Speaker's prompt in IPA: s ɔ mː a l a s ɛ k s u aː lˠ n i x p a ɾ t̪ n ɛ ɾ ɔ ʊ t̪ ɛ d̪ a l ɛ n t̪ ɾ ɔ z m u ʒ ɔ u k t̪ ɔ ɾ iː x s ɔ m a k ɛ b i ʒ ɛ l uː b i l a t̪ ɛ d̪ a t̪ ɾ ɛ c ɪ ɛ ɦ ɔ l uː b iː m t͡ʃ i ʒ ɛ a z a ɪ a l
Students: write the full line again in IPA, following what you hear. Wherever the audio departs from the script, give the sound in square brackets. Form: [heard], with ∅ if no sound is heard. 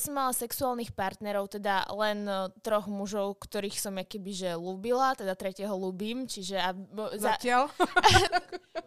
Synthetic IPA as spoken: s ɔ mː a l a s ɛ k s u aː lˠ n i x p a ɾ t̪ n ɛ ɾ ɔ ʊ t̪ ɛ d̪ a l ɛ n t̪ ɾ ɔ [ɣ] m u ʒ ɔ [ʊ] k t̪ ɔ ɾ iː x s ɔ m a k ɛ b i ʒ ɛ l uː b i l a t̪ ɛ d̪ a t̪ ɾ ɛ c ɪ ɛ ɦ ɔ l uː b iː m t͡ʃ i ʒ ɛ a z a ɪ a l